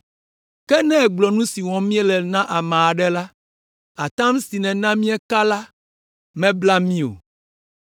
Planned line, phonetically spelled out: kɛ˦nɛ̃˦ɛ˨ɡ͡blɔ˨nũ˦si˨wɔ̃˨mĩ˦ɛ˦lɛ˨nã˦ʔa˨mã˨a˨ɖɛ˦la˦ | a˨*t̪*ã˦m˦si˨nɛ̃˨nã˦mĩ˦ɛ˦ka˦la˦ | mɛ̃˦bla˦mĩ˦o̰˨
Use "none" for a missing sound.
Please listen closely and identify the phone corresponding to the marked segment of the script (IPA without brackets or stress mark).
t̪